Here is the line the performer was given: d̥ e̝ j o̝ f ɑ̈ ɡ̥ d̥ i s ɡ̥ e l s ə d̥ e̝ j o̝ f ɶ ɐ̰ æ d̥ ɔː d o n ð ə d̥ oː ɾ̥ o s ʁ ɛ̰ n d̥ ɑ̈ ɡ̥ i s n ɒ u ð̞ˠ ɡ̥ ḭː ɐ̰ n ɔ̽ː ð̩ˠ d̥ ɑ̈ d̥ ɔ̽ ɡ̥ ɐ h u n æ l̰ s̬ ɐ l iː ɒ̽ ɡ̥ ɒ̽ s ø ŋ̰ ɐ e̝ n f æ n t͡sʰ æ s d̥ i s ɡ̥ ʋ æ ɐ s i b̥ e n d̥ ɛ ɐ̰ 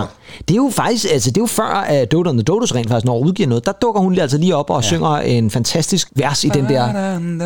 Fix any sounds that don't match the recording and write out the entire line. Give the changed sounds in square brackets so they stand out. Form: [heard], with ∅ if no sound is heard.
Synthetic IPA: d̥ e̝ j o̝ f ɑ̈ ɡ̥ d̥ i s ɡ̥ [æ] l s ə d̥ e̝ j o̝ f ɶ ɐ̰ æ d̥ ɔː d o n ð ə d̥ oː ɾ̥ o s ʁ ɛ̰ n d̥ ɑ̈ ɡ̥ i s n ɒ u ð̞ˠ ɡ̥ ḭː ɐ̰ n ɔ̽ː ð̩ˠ d̥ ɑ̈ d̥ ɔ̽ ɡ̥ ɐ h u n æ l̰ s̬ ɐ l iː ɒ̽ [b̥] ɒ̽ s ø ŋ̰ ɐ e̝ n f æ n t͡sʰ æ s d̥ i s ɡ̥ ʋ æ ɐ s i [d̥] e n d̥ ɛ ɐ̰